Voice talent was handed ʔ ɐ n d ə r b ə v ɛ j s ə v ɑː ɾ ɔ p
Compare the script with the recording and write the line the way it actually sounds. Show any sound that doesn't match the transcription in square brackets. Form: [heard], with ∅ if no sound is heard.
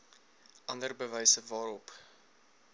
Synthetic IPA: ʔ ɐ n d ə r b ə v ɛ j s ə v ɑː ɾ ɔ p